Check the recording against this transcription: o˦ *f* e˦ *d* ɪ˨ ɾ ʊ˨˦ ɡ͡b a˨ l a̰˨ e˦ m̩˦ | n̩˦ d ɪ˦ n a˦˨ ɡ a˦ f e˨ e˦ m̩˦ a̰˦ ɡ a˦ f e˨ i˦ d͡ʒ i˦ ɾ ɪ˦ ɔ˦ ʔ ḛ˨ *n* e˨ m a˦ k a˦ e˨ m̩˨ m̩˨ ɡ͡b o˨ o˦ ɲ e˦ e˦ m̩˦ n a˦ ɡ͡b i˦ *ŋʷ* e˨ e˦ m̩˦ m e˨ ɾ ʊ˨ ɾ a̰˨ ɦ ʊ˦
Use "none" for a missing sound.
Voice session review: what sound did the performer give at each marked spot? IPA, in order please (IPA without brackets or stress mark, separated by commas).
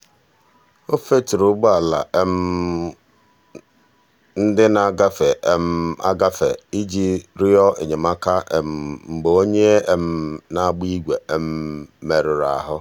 f, t, ɲ, ɡʷ